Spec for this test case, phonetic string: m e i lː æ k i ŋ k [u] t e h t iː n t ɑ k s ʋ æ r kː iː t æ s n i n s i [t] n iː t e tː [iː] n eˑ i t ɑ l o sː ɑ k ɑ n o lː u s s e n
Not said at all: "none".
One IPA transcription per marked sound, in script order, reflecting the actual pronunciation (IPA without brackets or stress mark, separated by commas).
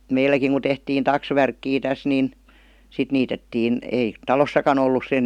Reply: u, t, iː